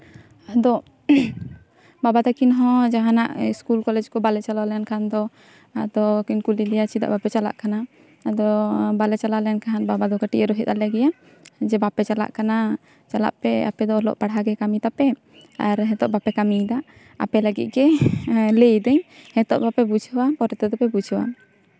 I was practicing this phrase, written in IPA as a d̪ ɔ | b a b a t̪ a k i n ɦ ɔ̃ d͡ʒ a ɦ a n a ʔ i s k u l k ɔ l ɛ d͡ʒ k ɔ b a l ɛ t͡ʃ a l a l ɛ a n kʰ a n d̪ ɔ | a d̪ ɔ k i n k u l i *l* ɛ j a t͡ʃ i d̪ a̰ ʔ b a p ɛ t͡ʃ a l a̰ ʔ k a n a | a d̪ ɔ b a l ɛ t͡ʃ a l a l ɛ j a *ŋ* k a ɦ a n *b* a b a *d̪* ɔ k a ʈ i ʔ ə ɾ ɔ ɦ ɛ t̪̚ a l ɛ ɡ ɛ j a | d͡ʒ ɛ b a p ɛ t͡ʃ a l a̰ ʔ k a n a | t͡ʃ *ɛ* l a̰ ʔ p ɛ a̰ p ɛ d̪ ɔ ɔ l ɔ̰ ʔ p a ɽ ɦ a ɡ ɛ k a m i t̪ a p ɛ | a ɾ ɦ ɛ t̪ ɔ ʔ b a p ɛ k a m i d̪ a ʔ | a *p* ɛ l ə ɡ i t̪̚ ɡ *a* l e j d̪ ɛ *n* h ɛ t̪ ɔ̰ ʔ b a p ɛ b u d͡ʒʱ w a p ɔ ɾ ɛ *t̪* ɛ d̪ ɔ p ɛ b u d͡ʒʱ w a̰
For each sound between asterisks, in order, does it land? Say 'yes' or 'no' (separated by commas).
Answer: yes, no, yes, yes, no, yes, no, no, yes